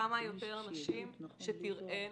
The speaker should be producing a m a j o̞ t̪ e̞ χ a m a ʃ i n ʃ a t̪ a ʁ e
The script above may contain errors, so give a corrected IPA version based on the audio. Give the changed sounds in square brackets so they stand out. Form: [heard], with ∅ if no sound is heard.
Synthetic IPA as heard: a m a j o̞ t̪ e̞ [ʁ] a [n] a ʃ i [m] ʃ [e] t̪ [i] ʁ e